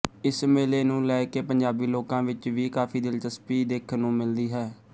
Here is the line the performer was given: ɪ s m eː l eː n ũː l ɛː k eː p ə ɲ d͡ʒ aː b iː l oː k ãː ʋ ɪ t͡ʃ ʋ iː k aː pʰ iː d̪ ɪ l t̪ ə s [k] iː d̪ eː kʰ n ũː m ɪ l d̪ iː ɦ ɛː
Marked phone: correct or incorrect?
incorrect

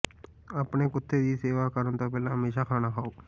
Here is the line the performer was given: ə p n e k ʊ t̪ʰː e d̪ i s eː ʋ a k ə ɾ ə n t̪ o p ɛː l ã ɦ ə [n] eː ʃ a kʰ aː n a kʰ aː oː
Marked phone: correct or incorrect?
incorrect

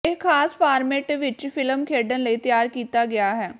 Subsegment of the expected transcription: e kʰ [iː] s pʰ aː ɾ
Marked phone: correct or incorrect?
incorrect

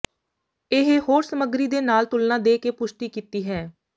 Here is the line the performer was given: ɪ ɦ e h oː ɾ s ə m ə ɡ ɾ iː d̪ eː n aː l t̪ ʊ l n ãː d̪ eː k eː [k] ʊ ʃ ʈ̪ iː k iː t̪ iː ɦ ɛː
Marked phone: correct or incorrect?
incorrect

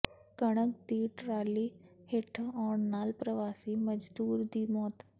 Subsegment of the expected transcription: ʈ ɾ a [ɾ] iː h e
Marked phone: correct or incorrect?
incorrect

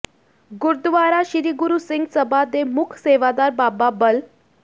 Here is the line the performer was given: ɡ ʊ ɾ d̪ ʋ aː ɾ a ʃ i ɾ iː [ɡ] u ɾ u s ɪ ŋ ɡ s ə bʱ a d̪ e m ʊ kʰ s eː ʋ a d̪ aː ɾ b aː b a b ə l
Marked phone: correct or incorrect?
correct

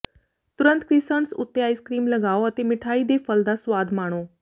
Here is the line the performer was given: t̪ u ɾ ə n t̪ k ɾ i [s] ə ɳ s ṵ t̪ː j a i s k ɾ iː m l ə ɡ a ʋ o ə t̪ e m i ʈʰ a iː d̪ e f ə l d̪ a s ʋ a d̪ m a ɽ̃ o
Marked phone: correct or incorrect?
correct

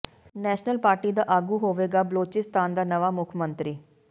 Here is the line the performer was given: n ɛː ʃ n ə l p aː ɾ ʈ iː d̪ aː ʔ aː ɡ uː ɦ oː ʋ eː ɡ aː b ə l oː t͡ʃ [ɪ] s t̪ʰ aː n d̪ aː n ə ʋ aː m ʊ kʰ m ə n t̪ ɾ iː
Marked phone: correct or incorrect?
correct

